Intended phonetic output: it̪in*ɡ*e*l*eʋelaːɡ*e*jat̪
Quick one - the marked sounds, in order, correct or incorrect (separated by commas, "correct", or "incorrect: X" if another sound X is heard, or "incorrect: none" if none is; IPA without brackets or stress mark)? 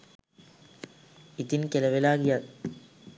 incorrect: k, correct, incorrect: i